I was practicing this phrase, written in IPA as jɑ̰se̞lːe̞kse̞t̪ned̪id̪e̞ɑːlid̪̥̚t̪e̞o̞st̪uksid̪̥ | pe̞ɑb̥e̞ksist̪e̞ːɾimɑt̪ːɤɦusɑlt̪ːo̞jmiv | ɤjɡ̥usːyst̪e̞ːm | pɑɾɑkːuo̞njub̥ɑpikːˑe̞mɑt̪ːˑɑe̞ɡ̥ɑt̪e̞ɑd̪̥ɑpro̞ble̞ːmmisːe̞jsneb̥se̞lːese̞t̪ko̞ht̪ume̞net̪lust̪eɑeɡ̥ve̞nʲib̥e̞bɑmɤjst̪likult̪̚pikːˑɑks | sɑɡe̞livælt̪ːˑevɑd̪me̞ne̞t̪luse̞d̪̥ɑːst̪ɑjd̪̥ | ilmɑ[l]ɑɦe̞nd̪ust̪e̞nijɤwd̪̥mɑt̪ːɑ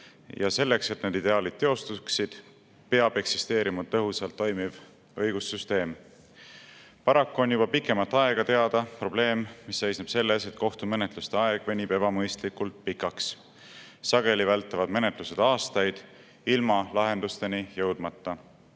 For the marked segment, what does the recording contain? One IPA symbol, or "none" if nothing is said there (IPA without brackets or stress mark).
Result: l